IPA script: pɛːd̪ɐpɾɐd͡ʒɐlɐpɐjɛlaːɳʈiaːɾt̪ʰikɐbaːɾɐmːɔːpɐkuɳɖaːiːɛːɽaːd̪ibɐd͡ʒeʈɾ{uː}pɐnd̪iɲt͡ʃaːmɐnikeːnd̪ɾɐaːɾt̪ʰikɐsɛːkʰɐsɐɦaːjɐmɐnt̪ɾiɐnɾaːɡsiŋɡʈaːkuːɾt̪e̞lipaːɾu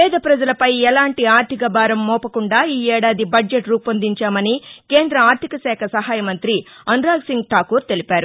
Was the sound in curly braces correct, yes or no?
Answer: yes